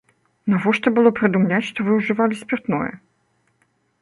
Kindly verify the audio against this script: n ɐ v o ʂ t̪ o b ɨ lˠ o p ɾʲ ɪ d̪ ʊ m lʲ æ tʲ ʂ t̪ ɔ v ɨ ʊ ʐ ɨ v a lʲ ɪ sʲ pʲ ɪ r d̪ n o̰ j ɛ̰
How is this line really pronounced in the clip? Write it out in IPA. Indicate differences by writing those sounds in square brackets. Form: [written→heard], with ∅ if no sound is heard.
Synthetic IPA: n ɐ v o ʂ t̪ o b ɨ lˠ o p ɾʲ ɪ d̪ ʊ m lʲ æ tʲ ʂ t̪ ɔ v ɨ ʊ ʐ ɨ v a lʲ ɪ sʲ pʲ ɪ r [d̪→t̪] n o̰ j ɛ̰